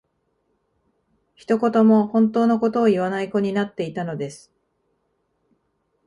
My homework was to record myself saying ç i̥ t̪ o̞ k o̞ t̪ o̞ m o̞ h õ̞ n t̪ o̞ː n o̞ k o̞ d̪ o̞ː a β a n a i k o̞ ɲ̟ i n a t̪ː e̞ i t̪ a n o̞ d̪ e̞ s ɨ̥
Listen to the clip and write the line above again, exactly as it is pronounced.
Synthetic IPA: ç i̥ t̪ o̞ k o̞ t̪ o̞ m o̞ h õ̞ n t̪ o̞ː n o̞ k o̞ t̪ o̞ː i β a n a i k o̞ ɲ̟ i n a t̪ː e̞ i t̪ a n o̞ d̪ e̞ s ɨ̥

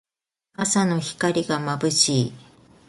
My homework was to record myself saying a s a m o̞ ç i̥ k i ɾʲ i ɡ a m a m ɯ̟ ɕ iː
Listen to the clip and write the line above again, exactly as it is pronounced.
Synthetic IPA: a s a n o̞ ç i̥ k a ɾʲ i ɡ a m a b ɯ̟ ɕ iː

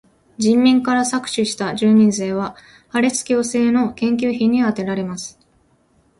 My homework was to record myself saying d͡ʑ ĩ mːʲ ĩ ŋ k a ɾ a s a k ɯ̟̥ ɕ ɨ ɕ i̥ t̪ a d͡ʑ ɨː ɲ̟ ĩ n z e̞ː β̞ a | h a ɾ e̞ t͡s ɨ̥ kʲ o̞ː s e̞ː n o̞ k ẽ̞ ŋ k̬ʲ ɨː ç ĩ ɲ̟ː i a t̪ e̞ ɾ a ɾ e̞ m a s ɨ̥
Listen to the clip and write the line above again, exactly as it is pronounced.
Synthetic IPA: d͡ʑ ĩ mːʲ ĩ ŋ k a ɾ a s a k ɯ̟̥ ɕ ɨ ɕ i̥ t̪ a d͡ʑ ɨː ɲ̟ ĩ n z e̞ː β̞ a | h a ɾ e̞ t͡s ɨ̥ kʲ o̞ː s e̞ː n o̞ k ẽ̞ ŋ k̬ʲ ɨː ç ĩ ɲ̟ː i a t̪ e̞ ɾ a ɾ e̞ m a s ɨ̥

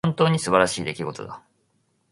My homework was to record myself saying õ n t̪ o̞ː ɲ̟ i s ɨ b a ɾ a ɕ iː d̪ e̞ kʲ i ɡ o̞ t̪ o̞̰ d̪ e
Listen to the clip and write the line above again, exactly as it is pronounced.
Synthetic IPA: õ n t̪ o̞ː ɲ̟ i s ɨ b a ɾ a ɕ iː d̪ e̞ kʲ i ɡ o̞ t̪ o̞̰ d̪ a

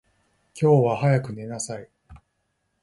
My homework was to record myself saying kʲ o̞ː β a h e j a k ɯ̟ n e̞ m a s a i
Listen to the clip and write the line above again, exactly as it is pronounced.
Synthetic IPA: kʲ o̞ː β a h a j a k ɯ̟ n e̞ n a s a i

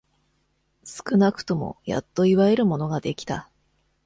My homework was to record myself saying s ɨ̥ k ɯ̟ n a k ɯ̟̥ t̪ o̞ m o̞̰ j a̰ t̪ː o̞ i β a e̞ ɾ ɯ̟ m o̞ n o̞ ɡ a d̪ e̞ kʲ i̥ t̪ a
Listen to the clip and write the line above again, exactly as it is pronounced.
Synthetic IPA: s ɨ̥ k ɯ̟ n a k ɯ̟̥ t̪ o̞ m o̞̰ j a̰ t̪ː o̞ i β a e̞ ɾ ɯ̟ m o̞ n o̞ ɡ a d̪ e̞ kʲ i̥ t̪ a

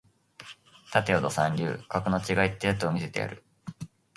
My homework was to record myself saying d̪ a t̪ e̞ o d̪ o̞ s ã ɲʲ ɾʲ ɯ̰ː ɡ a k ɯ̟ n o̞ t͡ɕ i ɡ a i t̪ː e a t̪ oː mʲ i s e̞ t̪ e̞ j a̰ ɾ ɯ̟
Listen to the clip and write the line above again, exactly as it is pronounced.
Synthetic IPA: t̪ a t̪ e̞ o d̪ o̞ s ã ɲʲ ɾʲ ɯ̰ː k a k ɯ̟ n o̞ t͡ɕ i ɡ a i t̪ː e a t̪ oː mʲ i s e̞ t̪ e̞ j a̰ ɾ ɯ̟

